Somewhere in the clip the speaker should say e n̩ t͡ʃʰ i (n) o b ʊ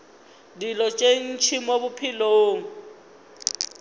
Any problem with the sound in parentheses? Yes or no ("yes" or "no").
yes